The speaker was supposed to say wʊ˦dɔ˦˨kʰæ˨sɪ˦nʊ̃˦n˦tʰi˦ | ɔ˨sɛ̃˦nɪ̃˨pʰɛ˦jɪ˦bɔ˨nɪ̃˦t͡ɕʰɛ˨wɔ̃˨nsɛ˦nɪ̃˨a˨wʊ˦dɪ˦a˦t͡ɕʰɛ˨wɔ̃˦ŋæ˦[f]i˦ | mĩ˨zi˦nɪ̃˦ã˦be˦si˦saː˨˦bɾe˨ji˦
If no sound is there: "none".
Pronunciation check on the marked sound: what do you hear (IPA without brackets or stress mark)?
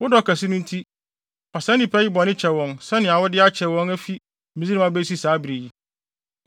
f